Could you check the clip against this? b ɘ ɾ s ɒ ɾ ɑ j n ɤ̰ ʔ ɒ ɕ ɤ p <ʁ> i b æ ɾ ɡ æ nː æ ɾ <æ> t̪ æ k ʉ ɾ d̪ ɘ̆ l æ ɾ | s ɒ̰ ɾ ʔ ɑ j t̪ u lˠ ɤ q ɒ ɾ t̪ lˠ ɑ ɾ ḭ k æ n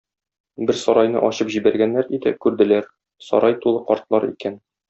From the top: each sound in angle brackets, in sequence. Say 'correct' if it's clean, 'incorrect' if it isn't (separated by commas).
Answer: incorrect, incorrect